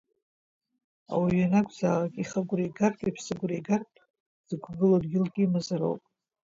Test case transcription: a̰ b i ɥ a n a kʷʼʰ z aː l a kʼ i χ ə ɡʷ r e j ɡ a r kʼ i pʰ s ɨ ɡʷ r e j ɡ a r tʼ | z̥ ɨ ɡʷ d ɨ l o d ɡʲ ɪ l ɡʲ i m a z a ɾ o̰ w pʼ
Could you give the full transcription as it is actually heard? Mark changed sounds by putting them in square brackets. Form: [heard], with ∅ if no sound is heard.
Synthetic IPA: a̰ [w] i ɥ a n a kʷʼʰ z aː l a kʼ i χ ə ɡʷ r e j ɡ a r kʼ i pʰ s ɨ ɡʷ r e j ɡ a r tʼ | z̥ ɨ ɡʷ [ɡ] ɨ l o d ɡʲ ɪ l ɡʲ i m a z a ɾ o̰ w pʼ